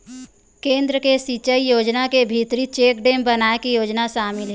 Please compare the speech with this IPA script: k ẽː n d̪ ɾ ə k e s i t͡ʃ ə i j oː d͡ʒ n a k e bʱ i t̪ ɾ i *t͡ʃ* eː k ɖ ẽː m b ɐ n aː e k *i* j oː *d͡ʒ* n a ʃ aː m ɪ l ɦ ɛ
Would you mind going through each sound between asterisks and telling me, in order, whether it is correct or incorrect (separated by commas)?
correct, correct, correct